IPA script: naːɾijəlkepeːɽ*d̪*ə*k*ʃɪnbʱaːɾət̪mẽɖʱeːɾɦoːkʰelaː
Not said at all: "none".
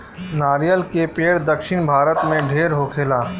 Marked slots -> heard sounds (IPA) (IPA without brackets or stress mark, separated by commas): d̪, k